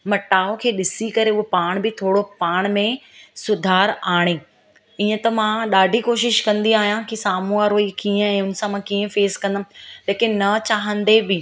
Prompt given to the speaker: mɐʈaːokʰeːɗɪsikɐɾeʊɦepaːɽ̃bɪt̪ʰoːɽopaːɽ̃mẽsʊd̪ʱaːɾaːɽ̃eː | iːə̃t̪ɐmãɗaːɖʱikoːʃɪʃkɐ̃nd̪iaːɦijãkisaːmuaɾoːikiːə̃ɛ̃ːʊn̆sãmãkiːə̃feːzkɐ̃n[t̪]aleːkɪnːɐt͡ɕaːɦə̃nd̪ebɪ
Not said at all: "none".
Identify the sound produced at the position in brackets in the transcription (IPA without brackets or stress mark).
d̪